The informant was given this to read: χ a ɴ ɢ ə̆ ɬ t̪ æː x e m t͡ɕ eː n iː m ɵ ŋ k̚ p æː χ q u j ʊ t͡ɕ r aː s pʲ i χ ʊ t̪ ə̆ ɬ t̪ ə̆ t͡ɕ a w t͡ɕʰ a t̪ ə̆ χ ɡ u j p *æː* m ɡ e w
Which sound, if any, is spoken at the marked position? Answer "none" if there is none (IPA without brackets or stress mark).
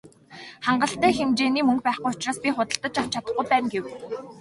æː